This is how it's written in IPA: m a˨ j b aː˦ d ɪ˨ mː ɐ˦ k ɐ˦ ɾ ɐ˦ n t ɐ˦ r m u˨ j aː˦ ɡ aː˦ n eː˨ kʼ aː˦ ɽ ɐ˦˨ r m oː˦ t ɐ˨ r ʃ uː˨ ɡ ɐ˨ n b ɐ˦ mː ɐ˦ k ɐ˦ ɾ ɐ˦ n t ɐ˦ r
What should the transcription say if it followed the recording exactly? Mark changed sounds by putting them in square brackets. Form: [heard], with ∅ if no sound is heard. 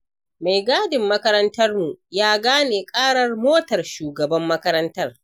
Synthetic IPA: m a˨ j [ɡ] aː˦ d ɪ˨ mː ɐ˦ k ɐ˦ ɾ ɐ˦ n t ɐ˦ r m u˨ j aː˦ ɡ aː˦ n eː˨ kʼ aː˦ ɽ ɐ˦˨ r m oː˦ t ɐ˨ r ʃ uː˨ ɡ ɐ˨ [∅] b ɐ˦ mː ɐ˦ k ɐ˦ ɾ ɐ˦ n t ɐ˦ r